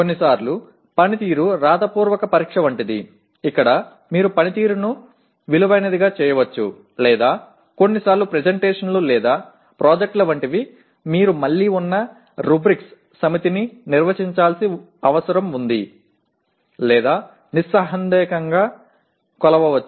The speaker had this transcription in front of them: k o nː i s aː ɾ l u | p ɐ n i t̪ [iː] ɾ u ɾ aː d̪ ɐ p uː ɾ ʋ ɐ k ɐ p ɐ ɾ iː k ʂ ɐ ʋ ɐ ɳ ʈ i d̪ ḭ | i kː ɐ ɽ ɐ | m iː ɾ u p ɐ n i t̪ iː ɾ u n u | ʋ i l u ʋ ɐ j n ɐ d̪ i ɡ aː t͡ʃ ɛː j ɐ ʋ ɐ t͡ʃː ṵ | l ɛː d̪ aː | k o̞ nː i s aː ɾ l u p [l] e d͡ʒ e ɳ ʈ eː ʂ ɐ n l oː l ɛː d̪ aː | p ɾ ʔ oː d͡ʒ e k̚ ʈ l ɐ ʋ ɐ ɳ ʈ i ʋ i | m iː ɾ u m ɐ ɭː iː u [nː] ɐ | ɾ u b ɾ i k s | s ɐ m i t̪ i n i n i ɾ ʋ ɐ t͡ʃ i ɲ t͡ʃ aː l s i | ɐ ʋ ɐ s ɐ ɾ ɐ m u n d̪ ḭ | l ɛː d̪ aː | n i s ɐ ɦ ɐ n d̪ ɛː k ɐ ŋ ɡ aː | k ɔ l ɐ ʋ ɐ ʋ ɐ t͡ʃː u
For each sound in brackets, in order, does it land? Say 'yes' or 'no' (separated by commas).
yes, no, yes